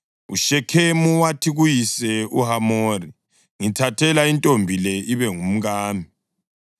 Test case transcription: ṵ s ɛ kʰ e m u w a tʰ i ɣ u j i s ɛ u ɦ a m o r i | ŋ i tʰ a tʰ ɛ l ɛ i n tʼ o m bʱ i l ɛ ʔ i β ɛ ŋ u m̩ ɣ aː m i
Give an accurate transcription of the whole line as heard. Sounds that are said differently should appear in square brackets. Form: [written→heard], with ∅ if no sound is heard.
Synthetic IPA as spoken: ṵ [s→ʃ] ɛ kʰ e m u w a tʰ i ɣ u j i s ɛ u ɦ a m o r i | ŋ i tʰ a tʰ ɛ l [ɛ→a] i n tʼ o m bʱ i l ɛ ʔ i β ɛ ŋ u m̩ ɣ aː m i